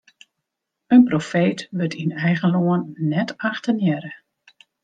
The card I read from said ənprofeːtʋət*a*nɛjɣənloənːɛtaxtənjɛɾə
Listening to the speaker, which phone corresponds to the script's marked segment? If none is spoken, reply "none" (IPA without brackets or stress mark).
i